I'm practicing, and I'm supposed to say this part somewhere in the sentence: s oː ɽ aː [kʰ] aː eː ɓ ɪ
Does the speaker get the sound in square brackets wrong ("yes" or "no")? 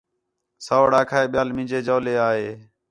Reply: no